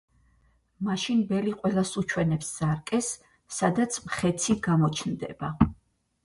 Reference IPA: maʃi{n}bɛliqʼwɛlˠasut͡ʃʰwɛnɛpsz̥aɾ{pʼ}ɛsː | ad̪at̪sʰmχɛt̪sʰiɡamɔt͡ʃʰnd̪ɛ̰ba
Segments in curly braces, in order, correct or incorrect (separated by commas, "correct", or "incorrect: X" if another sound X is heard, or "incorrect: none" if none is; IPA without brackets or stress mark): correct, incorrect: kʼ